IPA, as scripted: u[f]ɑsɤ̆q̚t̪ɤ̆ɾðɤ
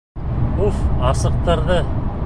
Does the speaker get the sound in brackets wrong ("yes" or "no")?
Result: no